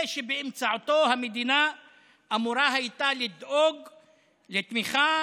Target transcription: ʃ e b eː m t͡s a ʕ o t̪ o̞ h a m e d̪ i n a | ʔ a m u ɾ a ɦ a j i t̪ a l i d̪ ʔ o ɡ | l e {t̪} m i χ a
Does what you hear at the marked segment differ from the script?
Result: no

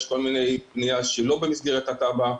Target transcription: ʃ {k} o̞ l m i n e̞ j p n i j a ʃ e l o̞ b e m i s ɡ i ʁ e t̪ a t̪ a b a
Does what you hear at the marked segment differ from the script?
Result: no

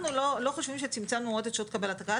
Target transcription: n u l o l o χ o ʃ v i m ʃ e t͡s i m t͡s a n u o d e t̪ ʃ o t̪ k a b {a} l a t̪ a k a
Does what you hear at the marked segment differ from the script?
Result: yes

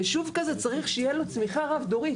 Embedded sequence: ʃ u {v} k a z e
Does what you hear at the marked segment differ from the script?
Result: no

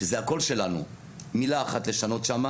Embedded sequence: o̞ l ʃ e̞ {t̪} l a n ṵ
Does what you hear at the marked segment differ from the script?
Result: yes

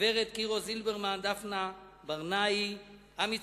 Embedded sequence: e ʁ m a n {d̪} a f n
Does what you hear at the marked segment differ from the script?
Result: no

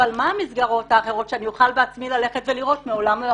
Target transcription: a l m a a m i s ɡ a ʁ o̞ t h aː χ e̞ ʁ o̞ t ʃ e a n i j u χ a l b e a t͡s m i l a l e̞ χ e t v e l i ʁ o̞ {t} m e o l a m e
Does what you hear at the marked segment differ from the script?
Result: no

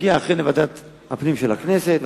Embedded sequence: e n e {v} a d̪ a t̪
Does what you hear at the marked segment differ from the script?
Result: no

